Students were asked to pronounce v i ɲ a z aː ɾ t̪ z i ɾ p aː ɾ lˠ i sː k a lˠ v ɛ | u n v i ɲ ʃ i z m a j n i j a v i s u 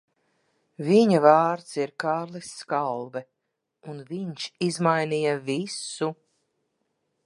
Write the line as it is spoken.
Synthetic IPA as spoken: v i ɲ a v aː ɾ t̪ s i ɾ k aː ɾ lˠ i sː k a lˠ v ɛ | u n v i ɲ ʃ i z m a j n i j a v i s u